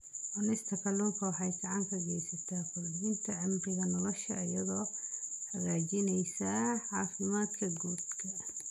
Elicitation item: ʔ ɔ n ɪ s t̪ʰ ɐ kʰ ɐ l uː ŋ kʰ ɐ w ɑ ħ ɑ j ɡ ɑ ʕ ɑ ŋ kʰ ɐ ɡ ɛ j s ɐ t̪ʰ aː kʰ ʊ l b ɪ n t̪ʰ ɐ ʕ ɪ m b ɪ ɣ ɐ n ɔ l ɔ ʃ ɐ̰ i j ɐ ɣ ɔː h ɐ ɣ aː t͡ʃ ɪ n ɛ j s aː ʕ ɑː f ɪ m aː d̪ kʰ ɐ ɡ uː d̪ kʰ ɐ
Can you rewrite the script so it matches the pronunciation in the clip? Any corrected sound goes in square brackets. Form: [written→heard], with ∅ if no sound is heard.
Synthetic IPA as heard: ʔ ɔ n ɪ s t̪ʰ ɐ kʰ ɐ l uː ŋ kʰ ɐ w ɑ ħ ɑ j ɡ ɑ ʕ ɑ ŋ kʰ ɐ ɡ ɛ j s ɐ t̪ʰ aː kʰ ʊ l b ɪ n t̪ʰ ɐ ʕ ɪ m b ɪ ɣ ɐ n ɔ l ɔ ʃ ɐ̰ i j ɐ [ɣ→ð] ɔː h ɐ ɣ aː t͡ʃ ɪ n ɛ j s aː ʕ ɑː f ɪ m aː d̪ kʰ ɐ ɡ uː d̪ kʰ ɐ